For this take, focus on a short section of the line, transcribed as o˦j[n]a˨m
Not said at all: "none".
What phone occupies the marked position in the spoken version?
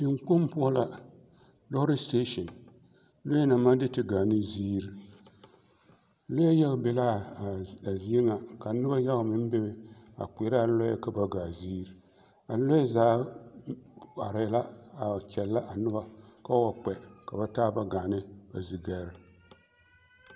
n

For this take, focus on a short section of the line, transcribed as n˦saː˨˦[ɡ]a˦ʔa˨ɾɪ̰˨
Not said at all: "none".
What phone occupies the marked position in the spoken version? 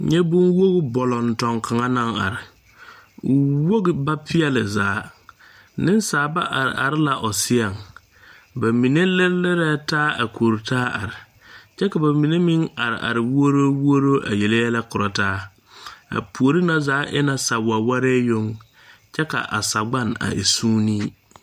b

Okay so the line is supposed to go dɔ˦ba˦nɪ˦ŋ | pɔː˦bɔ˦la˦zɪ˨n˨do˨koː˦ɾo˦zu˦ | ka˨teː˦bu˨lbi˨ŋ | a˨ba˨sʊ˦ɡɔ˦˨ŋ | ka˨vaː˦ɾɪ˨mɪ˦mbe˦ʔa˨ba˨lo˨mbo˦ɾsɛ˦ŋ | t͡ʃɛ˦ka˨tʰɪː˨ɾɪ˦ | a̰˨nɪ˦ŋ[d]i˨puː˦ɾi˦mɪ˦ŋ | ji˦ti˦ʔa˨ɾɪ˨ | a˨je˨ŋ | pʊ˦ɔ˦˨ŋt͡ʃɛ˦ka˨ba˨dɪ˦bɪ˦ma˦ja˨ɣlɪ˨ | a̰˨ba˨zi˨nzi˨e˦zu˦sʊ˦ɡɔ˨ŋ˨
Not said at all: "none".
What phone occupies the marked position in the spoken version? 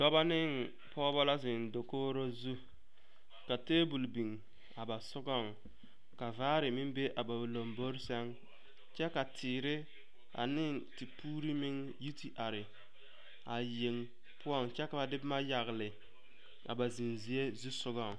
t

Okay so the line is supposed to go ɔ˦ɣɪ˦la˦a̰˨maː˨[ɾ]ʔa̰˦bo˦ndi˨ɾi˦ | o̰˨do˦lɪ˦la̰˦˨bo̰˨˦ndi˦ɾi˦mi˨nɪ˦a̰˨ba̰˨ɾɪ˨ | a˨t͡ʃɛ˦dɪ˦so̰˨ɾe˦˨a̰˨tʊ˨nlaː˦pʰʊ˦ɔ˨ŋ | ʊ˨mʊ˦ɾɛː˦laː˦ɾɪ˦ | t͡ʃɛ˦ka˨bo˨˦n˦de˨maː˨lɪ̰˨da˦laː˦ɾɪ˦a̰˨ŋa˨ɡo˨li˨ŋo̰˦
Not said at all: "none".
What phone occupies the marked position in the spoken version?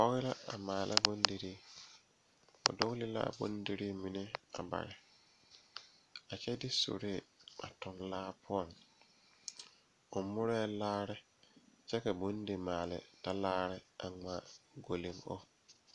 l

